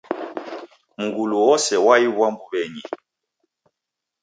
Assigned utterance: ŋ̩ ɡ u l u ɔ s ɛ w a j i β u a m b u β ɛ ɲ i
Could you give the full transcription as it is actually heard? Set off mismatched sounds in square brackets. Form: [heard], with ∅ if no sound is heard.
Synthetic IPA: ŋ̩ ɡ u l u ɔ s ɛ w a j i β [w] a m b u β ɛ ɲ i